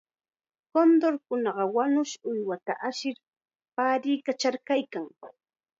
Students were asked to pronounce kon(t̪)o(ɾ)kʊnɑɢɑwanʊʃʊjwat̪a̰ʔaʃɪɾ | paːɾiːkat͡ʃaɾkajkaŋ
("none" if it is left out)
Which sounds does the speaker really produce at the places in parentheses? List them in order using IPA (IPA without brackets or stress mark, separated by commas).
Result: d̪, ɾ